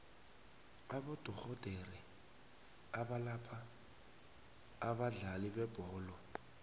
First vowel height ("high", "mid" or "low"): low